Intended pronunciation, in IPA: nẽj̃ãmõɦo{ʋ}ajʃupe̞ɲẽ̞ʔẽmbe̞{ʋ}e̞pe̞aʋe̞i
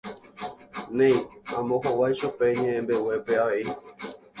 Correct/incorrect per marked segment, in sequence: incorrect: w, incorrect: w

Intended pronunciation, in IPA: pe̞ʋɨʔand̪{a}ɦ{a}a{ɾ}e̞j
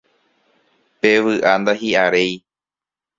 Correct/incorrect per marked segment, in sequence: correct, incorrect: i, correct

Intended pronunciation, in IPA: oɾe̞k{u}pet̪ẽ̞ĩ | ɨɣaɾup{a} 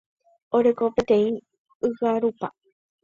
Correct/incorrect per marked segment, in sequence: incorrect: o, correct

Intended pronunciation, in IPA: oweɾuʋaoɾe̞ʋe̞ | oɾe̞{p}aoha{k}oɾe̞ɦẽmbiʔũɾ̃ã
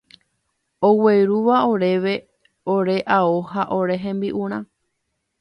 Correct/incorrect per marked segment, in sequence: incorrect: ʔ, incorrect: ʔ

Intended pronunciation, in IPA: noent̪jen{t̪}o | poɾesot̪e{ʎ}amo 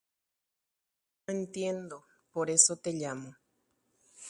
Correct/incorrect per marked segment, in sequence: incorrect: d̪, correct

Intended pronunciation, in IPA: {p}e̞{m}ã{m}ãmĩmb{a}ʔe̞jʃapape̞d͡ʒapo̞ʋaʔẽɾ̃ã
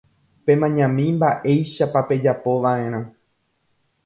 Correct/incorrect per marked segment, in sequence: correct, correct, incorrect: ɲ, correct

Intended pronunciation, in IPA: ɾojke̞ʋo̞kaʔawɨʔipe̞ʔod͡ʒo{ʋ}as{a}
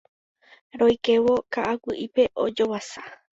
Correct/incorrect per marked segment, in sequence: incorrect: w, correct

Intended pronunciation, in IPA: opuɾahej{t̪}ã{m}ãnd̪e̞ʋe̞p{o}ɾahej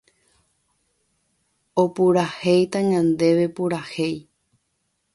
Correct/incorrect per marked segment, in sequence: correct, incorrect: ɲ, incorrect: u

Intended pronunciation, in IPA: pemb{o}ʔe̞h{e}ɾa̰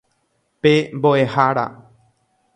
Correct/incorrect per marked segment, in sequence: correct, incorrect: a

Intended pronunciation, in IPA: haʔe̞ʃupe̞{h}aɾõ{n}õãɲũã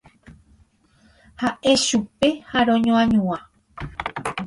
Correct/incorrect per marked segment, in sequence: correct, incorrect: ɲ

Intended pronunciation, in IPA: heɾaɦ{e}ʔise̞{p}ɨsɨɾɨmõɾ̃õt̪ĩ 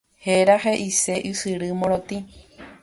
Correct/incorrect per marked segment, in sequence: correct, incorrect: ʔ

